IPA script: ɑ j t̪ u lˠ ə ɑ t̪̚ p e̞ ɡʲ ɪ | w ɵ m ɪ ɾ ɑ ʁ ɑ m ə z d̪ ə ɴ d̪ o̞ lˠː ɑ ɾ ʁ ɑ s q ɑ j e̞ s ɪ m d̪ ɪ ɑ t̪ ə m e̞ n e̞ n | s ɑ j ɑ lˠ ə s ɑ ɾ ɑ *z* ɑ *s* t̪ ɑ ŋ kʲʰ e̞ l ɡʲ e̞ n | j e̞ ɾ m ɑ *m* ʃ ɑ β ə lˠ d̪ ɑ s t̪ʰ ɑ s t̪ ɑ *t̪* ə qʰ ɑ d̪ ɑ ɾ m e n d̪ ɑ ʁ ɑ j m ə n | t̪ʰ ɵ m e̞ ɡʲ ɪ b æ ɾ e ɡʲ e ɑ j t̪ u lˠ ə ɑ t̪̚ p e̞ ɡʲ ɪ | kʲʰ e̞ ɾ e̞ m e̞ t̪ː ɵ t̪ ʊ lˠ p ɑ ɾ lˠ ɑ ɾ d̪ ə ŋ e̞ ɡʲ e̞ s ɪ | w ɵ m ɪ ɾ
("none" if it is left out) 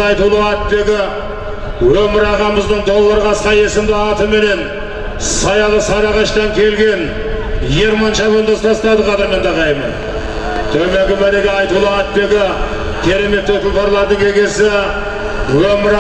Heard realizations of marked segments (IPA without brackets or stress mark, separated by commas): ʁ, ʃ, n, d̪